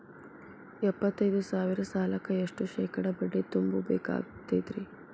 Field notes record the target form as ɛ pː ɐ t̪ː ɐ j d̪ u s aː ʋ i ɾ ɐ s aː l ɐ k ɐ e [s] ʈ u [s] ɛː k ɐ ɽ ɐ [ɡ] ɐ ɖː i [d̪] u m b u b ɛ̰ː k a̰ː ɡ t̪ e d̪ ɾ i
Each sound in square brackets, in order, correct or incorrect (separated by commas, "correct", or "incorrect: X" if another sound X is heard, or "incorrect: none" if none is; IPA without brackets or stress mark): incorrect: ʂ, incorrect: ʃ, incorrect: b, incorrect: t̪